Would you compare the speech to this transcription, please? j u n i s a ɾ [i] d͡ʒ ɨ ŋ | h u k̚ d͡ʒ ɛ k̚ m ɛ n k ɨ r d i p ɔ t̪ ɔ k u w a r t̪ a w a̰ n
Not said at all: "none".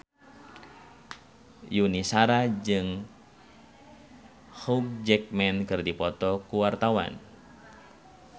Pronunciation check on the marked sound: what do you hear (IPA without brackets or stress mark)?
a